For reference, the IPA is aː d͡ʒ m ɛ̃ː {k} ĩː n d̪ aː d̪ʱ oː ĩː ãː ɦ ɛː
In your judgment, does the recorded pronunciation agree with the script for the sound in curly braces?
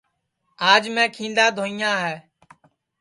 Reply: no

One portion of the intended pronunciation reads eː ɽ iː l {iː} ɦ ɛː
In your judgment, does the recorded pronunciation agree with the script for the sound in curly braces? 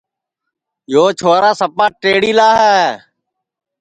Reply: no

